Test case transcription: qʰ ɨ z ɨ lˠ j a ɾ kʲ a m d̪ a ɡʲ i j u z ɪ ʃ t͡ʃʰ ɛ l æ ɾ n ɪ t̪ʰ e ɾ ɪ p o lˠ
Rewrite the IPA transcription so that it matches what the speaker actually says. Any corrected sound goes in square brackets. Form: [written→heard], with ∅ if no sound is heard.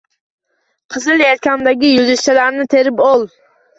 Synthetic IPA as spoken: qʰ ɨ z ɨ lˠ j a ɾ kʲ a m d̪ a ɡʲ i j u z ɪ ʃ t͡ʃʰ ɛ l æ ɾ n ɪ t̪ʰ e ɾ ɪ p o lˠ